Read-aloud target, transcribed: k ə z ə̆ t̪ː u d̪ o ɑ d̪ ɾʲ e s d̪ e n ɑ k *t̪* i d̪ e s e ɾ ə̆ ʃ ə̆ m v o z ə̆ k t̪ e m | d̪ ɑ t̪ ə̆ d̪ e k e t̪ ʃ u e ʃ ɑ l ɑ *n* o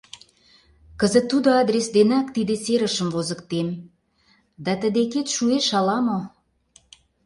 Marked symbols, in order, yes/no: yes, no

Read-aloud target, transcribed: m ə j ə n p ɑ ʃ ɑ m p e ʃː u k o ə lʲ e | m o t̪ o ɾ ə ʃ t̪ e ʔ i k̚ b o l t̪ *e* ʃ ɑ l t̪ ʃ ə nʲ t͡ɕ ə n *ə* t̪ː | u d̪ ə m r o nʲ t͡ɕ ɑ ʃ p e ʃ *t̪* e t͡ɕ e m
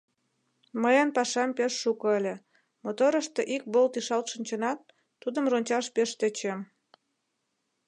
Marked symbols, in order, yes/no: no, no, yes

